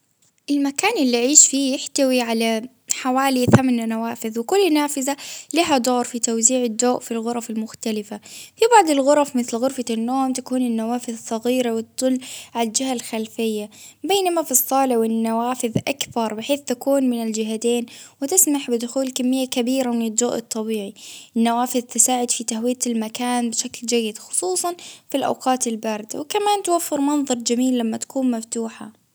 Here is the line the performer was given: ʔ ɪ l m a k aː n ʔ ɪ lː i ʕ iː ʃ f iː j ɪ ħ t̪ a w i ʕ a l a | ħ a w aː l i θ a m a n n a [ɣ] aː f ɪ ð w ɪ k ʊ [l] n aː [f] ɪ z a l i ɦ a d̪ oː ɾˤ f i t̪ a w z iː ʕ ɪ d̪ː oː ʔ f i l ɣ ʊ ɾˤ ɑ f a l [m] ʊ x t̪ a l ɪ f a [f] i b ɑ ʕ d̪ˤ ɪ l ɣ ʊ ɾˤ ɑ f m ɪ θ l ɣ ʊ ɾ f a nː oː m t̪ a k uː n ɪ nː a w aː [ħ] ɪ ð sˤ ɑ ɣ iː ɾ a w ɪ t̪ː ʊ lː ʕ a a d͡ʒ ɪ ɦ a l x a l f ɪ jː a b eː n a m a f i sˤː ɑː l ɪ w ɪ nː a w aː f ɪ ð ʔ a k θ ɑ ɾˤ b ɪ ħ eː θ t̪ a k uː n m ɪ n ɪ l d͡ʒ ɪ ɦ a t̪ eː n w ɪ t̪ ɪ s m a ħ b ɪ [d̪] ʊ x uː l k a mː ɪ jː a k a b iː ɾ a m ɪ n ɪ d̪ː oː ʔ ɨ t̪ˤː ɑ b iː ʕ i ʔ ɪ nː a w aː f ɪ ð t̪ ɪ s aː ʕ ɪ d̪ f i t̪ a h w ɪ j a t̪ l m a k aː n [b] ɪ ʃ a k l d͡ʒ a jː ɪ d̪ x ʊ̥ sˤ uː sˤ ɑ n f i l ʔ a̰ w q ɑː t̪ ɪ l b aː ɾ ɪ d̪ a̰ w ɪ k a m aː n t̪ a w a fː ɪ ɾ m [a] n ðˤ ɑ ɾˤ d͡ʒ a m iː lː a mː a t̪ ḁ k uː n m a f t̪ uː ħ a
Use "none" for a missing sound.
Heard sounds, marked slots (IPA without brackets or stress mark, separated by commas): w, lː, f, m, f, f, d̪, b, ɑ